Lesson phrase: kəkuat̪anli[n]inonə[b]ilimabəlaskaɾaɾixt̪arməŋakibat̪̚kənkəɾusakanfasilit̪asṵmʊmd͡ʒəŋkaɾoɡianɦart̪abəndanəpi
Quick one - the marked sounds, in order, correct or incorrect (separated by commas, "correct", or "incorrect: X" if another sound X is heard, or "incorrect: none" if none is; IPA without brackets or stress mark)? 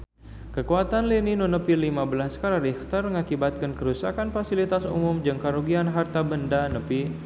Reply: correct, incorrect: p